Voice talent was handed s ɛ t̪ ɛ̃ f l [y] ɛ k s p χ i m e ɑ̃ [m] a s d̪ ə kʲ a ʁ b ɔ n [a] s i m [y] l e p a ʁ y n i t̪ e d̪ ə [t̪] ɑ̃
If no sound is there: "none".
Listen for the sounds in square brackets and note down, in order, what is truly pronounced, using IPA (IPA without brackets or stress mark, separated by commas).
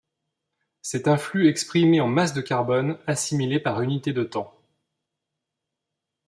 y, m, a, i, t̪